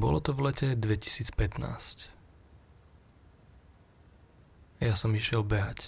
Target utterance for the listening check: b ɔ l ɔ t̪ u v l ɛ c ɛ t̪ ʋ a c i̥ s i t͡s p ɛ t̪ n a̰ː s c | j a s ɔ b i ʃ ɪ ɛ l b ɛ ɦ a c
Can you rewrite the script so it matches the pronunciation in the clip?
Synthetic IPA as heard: b ɔ l ɔ t̪ ɔ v l ɛ c ɛ d̪ ʋ ɛ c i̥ s iː t͡s p ɛ t̪ n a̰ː s c | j a s ɔ m i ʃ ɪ ɛ l b ɛ ɦ a c